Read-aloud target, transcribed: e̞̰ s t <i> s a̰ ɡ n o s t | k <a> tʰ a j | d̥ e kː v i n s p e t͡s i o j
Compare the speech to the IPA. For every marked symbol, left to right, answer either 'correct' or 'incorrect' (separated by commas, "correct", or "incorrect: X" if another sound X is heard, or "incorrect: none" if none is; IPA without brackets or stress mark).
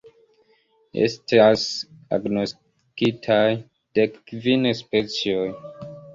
incorrect: a, incorrect: i